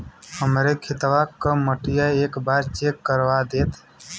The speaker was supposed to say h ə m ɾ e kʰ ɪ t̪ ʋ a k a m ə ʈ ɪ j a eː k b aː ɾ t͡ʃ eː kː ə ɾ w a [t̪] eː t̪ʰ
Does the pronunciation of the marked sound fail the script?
yes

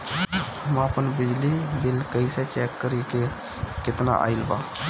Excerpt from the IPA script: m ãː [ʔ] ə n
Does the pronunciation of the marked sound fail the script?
yes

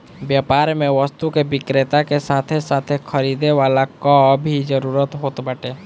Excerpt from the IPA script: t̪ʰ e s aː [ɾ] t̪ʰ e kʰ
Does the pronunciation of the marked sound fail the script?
yes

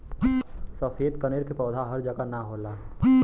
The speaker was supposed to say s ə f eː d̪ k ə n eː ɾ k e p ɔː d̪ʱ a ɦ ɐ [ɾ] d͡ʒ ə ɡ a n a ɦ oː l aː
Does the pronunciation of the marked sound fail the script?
no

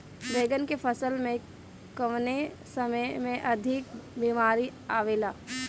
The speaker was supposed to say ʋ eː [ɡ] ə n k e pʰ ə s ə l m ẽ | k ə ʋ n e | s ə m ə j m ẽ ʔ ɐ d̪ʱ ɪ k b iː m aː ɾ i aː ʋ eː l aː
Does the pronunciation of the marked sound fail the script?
no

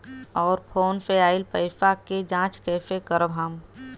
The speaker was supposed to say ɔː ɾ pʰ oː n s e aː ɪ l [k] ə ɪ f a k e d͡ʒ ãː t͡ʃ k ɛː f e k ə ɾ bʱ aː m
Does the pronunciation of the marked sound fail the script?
yes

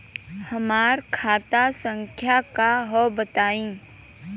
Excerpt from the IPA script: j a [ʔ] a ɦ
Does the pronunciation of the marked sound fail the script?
yes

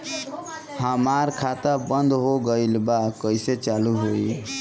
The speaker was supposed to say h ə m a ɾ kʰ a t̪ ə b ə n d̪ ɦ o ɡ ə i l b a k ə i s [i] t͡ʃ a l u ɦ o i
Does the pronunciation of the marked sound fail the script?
yes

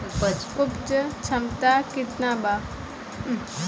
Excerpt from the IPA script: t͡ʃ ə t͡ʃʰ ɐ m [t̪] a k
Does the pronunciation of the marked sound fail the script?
no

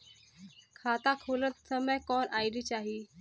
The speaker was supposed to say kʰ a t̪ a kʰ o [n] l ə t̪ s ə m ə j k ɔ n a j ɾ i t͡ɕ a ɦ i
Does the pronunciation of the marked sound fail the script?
yes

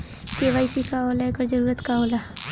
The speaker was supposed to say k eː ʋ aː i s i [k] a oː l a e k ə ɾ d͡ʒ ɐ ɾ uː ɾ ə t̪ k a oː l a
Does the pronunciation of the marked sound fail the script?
no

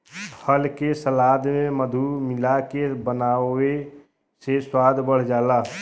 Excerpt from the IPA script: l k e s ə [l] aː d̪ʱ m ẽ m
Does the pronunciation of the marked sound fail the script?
no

